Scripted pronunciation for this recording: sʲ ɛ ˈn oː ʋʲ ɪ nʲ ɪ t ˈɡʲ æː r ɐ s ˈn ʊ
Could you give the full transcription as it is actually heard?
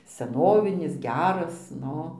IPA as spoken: sʲ ɛ ˈn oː ʋʲ ɪ nʲ ɪ s ˈɡʲ æː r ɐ s ˈn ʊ